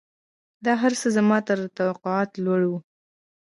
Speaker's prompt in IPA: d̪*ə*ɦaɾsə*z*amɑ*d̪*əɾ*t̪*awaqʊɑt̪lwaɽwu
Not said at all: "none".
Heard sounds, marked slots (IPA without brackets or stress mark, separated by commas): ɑ, z, t̪, t̪